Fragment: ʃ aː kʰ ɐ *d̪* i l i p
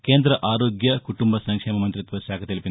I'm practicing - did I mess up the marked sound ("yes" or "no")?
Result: yes